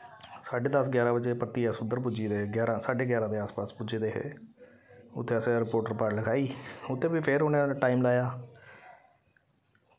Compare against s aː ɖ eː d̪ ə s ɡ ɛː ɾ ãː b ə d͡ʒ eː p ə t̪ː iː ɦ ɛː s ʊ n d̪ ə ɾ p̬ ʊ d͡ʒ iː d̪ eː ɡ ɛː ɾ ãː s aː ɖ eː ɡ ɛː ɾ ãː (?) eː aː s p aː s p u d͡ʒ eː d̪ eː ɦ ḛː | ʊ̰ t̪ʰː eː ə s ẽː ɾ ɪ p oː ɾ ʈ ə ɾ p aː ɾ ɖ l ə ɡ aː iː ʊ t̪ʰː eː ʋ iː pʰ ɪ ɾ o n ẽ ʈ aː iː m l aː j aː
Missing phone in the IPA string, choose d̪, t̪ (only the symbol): d̪